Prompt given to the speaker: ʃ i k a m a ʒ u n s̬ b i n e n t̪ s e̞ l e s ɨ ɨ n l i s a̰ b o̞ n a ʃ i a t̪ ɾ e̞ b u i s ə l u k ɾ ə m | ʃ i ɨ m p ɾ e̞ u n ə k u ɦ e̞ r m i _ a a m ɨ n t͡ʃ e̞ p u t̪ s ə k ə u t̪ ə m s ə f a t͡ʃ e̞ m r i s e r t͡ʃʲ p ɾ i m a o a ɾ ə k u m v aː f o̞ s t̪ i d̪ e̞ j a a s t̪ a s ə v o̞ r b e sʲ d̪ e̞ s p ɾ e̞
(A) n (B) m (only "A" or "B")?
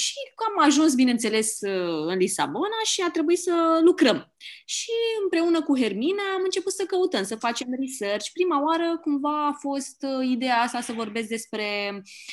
A